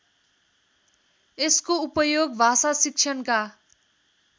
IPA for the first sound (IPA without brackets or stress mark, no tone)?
e